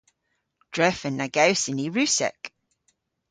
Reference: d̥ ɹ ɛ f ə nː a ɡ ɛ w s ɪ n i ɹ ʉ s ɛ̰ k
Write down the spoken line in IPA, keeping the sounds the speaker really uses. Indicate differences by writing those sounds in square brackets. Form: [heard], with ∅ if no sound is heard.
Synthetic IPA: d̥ ɹ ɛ f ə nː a ɡ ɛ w s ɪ n i ɹ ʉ s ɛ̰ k